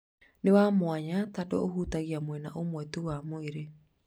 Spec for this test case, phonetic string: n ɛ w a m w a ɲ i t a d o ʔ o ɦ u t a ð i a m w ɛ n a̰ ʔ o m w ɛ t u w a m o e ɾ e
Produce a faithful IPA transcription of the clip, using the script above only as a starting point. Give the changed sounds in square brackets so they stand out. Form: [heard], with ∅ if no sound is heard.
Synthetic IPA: n [e] w a m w a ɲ [a] t a d o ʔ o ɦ u t a [ɣ] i a m w ɛ n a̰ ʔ o m w ɛ t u w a m o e ɾ e